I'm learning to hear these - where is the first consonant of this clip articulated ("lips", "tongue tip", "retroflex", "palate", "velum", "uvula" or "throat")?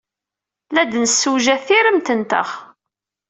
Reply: tongue tip